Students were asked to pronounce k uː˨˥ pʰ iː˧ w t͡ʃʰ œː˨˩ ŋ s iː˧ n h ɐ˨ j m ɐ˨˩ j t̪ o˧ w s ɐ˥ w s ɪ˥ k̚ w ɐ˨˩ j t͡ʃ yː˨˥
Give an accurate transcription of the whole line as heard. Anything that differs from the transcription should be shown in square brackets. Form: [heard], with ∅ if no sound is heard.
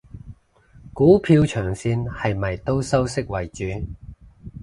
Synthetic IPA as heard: k uː˨˥ pʰ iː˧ w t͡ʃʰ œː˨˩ ŋ s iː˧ n h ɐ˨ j m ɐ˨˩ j t̪ [o˥] w s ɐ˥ w s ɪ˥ k̚ w ɐ˨˩ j t͡ʃ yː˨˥

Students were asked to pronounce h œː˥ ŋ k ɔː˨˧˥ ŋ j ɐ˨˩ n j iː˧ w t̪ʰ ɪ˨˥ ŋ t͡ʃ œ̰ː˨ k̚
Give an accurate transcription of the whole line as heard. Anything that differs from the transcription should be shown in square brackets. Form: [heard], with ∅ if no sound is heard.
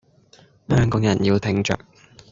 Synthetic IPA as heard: h œː˥ ŋ k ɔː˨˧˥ ŋ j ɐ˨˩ n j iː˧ w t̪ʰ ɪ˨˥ ŋ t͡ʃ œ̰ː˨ k̚

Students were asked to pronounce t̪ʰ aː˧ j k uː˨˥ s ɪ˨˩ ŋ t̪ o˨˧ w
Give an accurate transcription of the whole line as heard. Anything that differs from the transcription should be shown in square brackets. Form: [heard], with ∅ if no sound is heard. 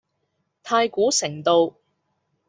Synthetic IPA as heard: t̪ʰ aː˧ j k uː˨˥ s ɪ˨˩ ŋ t̪ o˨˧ w

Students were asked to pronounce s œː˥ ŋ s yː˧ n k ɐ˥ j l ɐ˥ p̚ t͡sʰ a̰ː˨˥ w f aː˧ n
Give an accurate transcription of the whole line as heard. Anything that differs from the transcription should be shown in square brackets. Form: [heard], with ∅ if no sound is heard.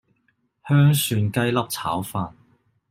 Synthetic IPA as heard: [h] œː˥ ŋ s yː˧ n k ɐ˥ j l ɐ˥ p̚ t͡sʰ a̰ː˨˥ w f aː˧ n

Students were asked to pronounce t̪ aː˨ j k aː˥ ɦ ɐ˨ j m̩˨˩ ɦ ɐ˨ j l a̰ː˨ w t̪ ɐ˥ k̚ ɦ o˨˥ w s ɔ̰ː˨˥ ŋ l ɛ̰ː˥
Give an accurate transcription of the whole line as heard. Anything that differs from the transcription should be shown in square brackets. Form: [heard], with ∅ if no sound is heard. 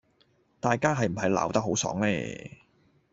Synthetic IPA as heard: t̪ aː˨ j k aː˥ ɦ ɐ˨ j m̩˨˩ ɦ ɐ˨ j l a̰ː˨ w t̪ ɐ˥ k̚ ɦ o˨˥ w s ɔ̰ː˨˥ ŋ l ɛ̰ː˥

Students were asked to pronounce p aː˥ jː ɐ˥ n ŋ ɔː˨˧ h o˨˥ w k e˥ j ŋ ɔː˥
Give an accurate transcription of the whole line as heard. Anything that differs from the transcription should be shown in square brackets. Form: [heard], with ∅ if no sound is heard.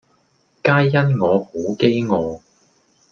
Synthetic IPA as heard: [k] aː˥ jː ɐ˥ n ŋ ɔː˨˧ h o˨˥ w k e˥ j ŋ [ɔː˨˧]

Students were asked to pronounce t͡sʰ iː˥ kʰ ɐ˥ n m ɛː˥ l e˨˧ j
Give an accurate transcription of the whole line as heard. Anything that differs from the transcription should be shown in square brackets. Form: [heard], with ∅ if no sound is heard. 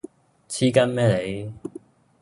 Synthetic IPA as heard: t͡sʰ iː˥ [k] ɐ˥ n m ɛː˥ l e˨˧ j

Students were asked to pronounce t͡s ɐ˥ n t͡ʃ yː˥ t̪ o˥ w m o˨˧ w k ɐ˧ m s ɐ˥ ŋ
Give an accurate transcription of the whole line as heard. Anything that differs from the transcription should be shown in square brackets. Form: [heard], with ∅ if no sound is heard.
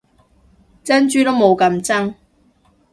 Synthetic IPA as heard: t͡s ɐ˥ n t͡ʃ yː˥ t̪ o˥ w m o˨˧ w k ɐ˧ m [t͡s] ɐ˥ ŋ

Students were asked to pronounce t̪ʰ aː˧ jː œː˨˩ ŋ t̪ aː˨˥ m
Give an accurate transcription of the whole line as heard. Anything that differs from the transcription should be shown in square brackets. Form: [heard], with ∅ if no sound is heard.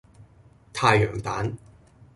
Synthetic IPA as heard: t̪ʰ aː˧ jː œː˨˩ ŋ t̪ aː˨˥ [n]

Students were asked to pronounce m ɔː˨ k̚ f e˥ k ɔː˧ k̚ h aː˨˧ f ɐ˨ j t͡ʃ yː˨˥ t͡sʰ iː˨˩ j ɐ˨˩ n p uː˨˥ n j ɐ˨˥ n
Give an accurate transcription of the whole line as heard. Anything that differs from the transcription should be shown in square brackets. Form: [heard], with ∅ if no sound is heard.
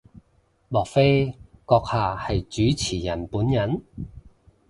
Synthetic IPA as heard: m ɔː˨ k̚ f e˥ k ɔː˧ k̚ h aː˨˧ [h] ɐ˨ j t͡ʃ yː˨˥ t͡sʰ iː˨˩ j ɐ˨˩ n p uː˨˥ n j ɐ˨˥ n

